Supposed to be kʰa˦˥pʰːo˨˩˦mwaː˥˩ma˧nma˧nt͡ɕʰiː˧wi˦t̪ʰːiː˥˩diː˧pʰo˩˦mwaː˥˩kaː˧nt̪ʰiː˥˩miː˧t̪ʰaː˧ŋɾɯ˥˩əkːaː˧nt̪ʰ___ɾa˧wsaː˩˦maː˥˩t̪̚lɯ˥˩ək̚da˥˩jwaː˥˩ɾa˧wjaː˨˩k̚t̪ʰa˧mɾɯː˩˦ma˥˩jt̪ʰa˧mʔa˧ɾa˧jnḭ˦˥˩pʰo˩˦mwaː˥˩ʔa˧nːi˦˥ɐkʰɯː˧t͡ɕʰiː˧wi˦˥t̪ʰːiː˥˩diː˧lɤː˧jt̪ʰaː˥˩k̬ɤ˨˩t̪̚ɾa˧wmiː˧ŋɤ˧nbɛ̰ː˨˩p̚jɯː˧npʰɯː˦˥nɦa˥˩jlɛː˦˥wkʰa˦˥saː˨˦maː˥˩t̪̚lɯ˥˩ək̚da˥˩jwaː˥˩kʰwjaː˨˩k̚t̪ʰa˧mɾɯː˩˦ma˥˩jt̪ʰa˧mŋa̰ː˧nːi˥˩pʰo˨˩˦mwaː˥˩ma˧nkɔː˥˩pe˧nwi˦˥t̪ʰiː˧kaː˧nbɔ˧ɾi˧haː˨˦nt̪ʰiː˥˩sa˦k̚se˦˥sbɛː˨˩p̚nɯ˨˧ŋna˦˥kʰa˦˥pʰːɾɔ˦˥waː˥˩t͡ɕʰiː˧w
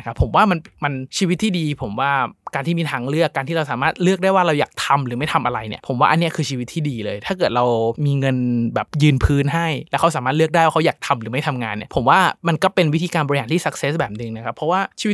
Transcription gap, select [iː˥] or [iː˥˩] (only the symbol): iː˥